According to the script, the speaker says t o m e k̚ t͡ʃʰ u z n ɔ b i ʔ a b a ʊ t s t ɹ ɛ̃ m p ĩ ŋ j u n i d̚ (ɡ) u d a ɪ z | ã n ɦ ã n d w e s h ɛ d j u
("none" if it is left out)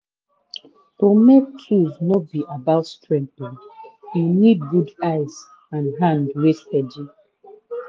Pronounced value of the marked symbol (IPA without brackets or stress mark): ɡ